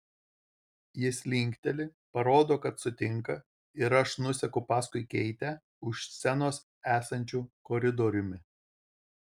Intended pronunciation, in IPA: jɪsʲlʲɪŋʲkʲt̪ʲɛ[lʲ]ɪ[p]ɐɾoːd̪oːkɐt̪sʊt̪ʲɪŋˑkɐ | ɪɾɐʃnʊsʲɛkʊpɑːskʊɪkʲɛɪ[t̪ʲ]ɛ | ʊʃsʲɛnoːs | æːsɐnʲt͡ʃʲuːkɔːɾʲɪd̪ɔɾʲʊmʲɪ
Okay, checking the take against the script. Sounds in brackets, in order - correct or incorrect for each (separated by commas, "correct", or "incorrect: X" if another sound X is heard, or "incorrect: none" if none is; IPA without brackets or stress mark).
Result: correct, correct, correct